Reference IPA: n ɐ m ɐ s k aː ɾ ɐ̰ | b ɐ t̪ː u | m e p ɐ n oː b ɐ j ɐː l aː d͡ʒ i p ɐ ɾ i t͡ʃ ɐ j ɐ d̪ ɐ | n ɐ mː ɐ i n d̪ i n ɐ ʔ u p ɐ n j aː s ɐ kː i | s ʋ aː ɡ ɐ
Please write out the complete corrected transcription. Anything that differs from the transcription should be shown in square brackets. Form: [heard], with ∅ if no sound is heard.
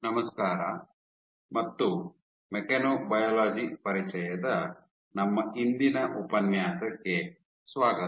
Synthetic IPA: n ɐ m ɐ s k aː ɾ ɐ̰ | [m] ɐ t̪ː u | m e [k] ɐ n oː b ɐ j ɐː l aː d͡ʒ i p ɐ ɾ i t͡ʃ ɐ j ɐ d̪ ɐ | n ɐ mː ɐ i n d̪ i n ɐ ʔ u p ɐ n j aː s ɐ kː [e] | s ʋ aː ɡ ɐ

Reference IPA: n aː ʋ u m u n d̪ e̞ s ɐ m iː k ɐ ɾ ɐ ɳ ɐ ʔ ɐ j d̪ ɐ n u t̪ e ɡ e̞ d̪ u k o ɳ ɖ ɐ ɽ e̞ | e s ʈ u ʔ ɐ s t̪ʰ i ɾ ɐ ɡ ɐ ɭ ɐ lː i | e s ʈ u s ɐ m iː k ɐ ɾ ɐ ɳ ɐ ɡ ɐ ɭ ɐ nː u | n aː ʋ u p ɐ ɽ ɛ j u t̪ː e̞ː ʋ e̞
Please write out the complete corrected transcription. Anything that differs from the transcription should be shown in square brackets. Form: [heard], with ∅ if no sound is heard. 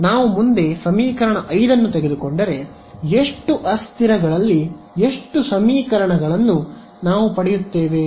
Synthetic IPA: n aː ʋ u m u n d̪ e̞ s ɐ m iː k ɐ ɾ ɐ ɳ ɐ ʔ ɐ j d̪ ɐ [nː] u t̪ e ɡ e̞ d̪ u k o ɳ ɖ ɐ [ɾ] e̞ | e [ʂ] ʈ u ʔ ɐ s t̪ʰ i ɾ ɐ ɡ ɐ ɭ ɐ lː i | e [ʂ] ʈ u s ɐ m iː k ɐ ɾ ɐ ɳ ɐ ɡ ɐ ɭ ɐ nː u | n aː ʋ u p ɐ ɽ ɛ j u t̪ː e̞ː ʋ e̞

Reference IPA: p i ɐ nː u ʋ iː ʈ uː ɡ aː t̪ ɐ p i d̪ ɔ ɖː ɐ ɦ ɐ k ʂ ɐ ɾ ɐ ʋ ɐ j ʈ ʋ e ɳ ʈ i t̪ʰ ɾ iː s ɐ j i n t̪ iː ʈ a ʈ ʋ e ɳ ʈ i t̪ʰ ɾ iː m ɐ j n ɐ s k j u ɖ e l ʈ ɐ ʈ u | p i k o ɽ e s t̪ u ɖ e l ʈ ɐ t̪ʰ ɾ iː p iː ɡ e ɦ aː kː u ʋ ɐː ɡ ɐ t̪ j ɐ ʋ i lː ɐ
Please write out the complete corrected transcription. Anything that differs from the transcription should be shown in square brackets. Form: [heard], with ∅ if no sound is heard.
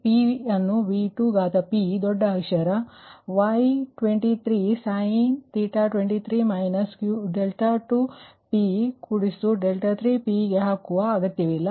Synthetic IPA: p i ɐ nː u ʋ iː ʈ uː ɡ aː t̪ ɐ p i d̪ ɔ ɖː ɐ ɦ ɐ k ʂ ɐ ɾ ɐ ʋ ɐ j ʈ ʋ e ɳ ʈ i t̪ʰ ɾ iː s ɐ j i n t̪ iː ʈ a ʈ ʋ e ɳ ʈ i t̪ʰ ɾ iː m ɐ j n ɐ s k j u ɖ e l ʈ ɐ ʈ u | p i k [u] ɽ [i] s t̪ u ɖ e l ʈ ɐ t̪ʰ ɾ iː p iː ɡ e ɦ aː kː u ʋ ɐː ɡ ɐ t̪ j ɐ ʋ i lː ɐ

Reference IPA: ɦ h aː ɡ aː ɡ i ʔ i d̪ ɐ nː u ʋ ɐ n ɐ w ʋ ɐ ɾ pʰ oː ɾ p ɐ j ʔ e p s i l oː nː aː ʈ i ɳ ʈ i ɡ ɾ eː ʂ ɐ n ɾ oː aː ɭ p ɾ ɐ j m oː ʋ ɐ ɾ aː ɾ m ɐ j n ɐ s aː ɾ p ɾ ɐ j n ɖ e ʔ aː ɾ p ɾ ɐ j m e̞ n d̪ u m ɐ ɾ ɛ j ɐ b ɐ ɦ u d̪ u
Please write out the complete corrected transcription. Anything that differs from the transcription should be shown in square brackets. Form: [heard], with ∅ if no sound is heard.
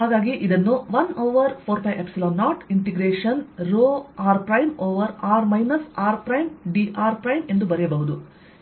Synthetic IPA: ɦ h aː ɡ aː ɡ i ʔ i d̪ ɐ nː u ʋ ɐ n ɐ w ʋ ɐ ɾ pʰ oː ɾ p ɐ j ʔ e p s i l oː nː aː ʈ i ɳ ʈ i ɡ ɾ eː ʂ ɐ n ɾ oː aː [ɾ] p ɾ ɐ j m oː ʋ ɐ ɾ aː ɾ m ɐ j n ɐ s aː ɾ p ɾ ɐ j [m] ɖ [i] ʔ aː ɾ p ɾ ɐ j m e̞ n d̪ u [b] ɐ ɾ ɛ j ɐ b ɐ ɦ u d̪ u

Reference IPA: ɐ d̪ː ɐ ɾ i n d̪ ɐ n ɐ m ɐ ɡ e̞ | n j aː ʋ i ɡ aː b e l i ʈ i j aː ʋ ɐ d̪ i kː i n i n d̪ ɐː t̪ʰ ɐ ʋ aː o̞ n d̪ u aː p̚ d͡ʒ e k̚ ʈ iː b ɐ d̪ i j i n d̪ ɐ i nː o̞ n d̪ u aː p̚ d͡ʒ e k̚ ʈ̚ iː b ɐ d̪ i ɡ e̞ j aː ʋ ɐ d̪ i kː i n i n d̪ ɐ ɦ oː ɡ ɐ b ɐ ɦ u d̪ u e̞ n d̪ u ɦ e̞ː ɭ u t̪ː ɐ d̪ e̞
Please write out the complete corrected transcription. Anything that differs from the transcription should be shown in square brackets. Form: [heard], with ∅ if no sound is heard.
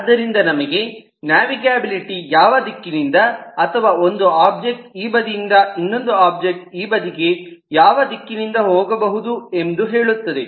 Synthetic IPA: ɐ d̪ː ɐ ɾ i n d̪ ɐ n ɐ m ɐ ɡ e̞ | n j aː ʋ i ɡ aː b [i] l i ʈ i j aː ʋ ɐ d̪ i kː i n i n d̪ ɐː t̪ʰ ɐ ʋ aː o̞ n d̪ u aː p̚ d͡ʒ e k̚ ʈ iː b ɐ d̪ i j i n d̪ ɐ i nː o̞ n d̪ u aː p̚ d͡ʒ e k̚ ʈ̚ iː b ɐ d̪ i ɡ e̞ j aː ʋ ɐ d̪ i kː i n i n d̪ ɐ ɦ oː ɡ ɐ b ɐ ɦ u d̪ u e̞ n d̪ u ɦ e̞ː ɭ u t̪ː ɐ d̪ e̞

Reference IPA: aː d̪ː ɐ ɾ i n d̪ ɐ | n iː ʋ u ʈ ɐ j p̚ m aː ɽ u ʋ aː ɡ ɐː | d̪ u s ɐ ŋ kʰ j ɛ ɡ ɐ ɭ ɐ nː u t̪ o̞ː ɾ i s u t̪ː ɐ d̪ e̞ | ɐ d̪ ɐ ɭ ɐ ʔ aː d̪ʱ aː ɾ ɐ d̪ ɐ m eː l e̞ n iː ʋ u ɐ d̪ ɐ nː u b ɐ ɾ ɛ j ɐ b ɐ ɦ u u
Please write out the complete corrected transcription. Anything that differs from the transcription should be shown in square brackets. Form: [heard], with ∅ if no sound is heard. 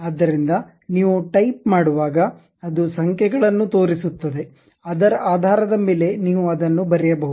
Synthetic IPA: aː d̪ː ɐ ɾ i n d̪ ɐ | n iː ʋ u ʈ ɐ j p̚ m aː ɽ u ʋ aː ɡ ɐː | d̪ u s ɐ ŋ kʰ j ɛ ɡ ɐ ɭ ɐ nː u t̪ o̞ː ɾ i s u t̪ː ɐ d̪ e̞ | ɐ d̪ ɐ [ɾ] ɐ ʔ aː d̪ʱ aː ɾ ɐ d̪ ɐ m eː l e̞ n iː ʋ u ɐ d̪ ɐ nː u b ɐ ɾ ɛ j ɐ b ɐ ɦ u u

